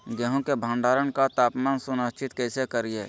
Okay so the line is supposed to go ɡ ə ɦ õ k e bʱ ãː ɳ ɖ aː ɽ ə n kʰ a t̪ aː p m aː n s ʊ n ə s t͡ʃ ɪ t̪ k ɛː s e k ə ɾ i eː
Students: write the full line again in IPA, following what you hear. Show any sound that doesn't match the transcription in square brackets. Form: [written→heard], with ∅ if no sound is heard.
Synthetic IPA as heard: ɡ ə ɦ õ k e bʱ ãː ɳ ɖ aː [ɽ→ɾ] ə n [kʰ→k] a t̪ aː p m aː n s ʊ n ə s t͡ʃ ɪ t̪ k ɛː s e k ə ɾ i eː

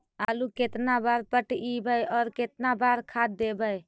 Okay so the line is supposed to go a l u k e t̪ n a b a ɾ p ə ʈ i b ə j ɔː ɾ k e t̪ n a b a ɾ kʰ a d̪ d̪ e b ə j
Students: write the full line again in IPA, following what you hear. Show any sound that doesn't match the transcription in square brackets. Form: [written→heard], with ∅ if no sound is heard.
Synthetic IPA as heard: a l u k e t̪ n a b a ɾ p ə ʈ i b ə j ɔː ɾ k e t̪ n a b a ɾ kʰ a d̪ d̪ e b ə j

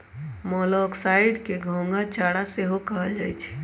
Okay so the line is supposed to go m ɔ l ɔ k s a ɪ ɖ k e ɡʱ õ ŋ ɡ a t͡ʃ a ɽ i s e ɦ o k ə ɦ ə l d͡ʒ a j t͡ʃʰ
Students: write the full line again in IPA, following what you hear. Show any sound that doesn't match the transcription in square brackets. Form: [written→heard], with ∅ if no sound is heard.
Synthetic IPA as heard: m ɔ l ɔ k s a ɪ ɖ k e ɡʱ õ ŋ ɡ a t͡ʃ a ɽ [i→a] s e ɦ o k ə ɦ ə l d͡ʒ a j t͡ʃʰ

